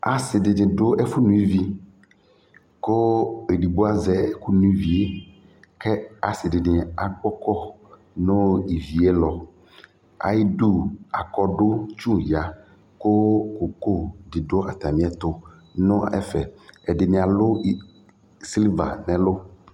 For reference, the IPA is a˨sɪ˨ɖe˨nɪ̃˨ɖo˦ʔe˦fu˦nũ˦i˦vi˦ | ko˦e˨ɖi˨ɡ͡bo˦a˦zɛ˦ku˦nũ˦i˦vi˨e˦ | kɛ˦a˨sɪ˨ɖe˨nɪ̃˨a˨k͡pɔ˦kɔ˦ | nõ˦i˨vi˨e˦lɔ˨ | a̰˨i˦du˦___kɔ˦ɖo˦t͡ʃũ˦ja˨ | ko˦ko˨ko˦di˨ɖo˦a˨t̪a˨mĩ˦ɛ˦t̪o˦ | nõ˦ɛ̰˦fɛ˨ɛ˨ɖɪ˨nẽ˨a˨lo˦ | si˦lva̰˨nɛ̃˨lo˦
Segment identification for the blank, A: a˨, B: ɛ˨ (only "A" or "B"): A